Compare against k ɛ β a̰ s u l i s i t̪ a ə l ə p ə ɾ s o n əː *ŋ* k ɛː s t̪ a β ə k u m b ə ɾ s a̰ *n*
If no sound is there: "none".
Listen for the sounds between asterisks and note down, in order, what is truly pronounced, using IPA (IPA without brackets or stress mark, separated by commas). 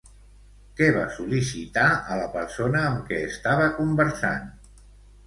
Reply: m, n